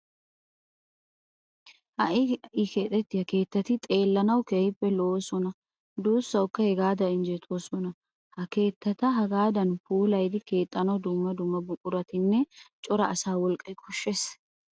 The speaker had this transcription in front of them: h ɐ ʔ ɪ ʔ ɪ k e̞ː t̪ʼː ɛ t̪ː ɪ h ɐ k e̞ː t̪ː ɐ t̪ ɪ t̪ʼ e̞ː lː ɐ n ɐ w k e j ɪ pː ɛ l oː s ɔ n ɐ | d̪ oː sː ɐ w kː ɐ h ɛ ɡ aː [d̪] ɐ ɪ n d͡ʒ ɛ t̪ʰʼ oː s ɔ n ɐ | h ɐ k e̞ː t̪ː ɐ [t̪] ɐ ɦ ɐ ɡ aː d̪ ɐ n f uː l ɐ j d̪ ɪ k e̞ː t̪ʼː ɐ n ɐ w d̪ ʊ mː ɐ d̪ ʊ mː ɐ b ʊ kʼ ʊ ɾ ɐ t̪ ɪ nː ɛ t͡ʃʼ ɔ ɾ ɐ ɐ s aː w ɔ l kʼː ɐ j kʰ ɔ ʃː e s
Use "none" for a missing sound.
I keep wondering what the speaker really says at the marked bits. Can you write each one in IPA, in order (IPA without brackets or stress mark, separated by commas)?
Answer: d̪, t̪